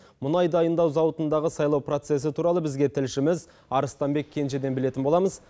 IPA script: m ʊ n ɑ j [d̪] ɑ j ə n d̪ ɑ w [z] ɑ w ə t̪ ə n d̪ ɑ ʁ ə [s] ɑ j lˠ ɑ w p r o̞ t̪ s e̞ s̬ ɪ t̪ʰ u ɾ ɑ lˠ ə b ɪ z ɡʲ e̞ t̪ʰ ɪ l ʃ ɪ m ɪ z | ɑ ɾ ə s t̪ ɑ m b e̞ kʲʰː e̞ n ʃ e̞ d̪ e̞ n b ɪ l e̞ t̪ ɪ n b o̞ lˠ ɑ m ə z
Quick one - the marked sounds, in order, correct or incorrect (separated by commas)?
correct, correct, correct